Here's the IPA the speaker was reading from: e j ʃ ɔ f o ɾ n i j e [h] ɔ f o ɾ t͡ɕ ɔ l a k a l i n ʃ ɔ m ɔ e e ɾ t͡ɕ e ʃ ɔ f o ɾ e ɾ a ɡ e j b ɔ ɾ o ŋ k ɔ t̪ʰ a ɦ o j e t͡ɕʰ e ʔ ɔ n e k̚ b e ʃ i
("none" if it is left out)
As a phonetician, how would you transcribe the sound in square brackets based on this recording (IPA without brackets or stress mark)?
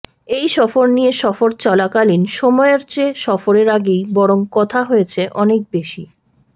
ʃ